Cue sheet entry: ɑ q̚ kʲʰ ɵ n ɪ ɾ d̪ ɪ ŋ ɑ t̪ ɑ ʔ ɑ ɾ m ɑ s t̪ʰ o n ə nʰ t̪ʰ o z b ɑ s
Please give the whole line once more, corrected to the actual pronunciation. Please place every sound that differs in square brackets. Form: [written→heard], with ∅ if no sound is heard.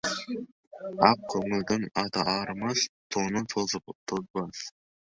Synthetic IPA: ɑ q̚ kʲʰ ɵ [n→ŋ] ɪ [ɾ→l] d̪ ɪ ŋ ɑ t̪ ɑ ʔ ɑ ɾ m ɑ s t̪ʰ o n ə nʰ t̪ʰ o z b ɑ s